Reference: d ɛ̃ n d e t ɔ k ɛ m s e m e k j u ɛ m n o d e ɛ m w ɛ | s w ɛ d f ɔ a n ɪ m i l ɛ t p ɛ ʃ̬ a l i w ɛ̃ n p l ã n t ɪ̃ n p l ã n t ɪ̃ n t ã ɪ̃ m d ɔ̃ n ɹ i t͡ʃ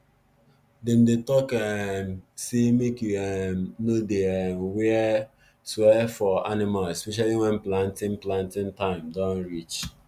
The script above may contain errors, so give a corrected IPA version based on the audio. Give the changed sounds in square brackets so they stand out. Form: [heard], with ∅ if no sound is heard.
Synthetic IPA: d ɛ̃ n d e t ɔ k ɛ m s e m e k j u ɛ m n o d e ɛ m w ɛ | s w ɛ [∅] f ɔ a n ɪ m [a] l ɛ [s] p ɛ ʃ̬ a l i w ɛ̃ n p l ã n t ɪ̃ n p l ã n t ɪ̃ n t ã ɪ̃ m d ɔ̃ n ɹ i t͡ʃ